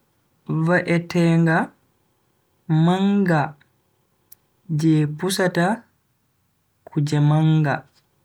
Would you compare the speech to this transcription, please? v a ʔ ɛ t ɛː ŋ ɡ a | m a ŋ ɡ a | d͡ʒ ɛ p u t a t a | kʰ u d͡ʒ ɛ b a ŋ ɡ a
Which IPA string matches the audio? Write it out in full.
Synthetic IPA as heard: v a ʔ ɛ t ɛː ŋ ɡ a | m a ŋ ɡ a | d͡ʒ ɛ p u s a t a | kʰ u d͡ʒ ɛ m a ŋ ɡ a